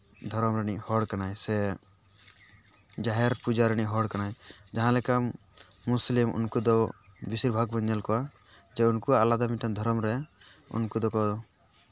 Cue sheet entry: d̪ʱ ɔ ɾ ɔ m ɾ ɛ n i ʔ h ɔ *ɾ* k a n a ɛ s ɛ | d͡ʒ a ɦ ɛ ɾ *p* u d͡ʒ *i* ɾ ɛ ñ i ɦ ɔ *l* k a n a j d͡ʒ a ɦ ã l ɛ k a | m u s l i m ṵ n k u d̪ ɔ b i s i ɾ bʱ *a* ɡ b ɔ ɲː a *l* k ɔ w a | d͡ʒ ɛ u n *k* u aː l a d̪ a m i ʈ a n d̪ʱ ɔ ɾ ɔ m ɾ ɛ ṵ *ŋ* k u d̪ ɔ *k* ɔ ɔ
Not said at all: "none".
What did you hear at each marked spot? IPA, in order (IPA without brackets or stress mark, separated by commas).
ɽ, p, a, ɽ, a, l, k, n, k